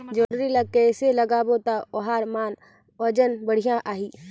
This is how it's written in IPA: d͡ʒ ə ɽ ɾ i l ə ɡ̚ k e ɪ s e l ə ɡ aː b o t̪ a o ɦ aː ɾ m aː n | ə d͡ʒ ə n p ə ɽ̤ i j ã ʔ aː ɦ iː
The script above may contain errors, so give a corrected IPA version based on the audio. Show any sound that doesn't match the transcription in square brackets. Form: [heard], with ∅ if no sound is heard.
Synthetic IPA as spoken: d͡ʒ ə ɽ ɾ i l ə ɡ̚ k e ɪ s e l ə ɡ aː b o t̪ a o ɦ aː ɾ m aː n | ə d͡ʒ ə n [b] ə ɽ̤ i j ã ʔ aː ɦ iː